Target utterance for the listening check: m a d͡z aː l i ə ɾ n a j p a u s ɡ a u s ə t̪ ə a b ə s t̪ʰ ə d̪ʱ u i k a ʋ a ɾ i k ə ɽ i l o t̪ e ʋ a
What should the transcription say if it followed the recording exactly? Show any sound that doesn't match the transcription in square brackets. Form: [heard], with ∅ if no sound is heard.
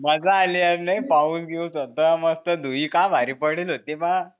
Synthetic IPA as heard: m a d͡z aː l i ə ɾ n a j p a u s ɡ [e] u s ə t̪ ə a [m] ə s [t̪] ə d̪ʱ u i k a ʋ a ɾ i [p] ə ɽ i l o t̪ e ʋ a